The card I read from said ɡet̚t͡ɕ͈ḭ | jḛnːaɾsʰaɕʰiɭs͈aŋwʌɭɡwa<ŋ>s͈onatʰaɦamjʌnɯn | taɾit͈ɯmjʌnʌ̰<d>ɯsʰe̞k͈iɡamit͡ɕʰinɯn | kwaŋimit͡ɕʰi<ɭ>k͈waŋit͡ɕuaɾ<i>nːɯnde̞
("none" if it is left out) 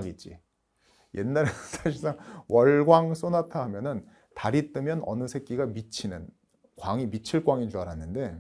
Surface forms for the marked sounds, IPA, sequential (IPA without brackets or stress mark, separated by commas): ŋ, n, ɭ, a